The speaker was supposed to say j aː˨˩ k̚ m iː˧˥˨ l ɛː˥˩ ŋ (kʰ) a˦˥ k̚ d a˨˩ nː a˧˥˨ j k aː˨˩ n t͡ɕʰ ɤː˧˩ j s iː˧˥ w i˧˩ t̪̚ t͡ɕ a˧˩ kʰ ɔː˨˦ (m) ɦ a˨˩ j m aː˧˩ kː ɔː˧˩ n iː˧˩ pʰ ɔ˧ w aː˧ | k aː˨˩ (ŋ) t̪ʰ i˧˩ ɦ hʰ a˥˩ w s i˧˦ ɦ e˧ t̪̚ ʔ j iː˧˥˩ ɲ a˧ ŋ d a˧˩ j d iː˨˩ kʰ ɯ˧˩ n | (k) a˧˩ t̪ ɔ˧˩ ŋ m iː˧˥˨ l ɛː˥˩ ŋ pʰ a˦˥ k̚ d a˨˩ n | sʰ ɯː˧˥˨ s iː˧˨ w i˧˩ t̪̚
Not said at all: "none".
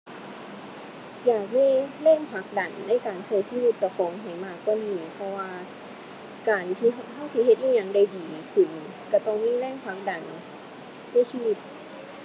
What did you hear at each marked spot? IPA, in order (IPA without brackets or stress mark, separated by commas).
pʰ, ŋ, n, k